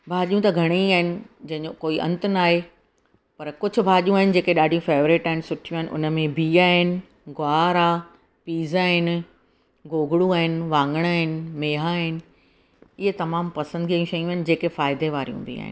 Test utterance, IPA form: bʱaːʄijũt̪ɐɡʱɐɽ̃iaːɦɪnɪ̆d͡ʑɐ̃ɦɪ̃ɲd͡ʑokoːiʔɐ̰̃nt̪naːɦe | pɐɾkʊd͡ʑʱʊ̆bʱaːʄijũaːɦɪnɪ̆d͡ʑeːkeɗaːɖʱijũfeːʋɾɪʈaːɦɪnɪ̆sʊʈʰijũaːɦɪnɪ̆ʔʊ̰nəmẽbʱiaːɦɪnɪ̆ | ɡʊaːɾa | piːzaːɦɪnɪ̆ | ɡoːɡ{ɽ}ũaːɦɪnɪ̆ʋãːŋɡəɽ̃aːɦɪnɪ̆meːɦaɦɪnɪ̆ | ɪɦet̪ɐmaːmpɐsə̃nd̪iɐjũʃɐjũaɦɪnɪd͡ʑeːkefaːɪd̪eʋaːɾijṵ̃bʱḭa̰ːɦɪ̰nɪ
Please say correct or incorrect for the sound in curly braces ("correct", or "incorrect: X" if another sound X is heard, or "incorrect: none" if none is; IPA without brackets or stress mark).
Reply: correct